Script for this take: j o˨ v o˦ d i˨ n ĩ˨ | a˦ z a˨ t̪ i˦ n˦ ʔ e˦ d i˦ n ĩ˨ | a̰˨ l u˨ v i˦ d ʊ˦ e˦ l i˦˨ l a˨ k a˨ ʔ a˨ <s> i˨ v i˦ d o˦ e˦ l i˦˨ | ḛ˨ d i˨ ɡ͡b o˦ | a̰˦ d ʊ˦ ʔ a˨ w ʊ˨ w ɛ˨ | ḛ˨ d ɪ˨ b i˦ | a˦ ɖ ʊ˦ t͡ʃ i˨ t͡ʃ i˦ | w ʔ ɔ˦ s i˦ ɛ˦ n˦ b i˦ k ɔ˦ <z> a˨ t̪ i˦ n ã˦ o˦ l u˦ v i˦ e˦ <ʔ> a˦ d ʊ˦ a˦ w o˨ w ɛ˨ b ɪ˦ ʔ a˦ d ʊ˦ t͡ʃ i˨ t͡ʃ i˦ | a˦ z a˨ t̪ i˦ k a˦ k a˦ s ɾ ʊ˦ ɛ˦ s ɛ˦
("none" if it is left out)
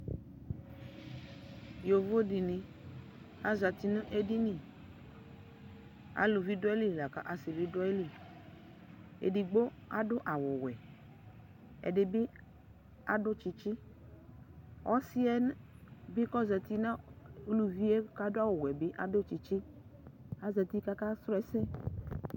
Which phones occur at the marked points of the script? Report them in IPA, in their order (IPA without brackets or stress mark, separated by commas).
s, z, k